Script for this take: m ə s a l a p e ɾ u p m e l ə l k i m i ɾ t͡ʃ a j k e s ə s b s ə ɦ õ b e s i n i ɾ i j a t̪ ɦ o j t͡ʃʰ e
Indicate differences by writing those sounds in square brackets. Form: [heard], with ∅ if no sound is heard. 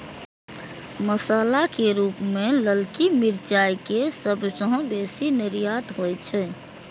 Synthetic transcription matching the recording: m ə s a l a [k] e ɾ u p m e l ə l k i m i ɾ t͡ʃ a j k e s ə [∅] b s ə ɦ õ b e s i n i ɾ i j a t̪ ɦ o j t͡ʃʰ [ɛ]